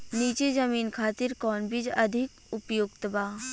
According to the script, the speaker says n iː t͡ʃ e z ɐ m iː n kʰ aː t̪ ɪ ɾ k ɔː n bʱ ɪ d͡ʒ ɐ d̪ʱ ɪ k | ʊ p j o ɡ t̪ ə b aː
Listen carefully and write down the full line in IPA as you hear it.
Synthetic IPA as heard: n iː t͡ʃ e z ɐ m iː n kʰ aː t̪ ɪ ɾ k ɔː n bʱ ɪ d͡ʒ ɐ d̪ʱ ɪ k | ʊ p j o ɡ t̪ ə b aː